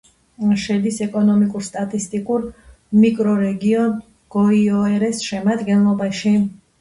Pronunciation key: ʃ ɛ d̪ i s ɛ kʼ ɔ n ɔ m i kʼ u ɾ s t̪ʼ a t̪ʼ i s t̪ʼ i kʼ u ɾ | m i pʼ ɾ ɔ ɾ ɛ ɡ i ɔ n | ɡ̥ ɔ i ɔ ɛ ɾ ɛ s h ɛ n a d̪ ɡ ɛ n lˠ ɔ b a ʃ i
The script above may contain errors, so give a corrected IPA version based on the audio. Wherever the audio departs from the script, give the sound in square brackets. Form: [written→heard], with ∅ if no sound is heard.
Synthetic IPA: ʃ ɛ d̪ i s ɛ kʼ ɔ n ɔ m i kʼ u ɾ s t̪ʼ a t̪ʼ i s t̪ʼ i kʼ u ɾ | m i [pʼ→kʼ] ɾ ɔ ɾ ɛ ɡ i ɔ n | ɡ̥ ɔ i ɔ ɛ ɾ ɛ s [h→ʃ] ɛ [n→m] a d̪ ɡ ɛ n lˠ ɔ b a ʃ i